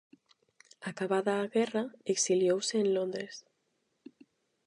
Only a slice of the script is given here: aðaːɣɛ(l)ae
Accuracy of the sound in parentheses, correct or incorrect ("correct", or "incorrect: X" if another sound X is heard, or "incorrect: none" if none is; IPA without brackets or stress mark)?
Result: incorrect: r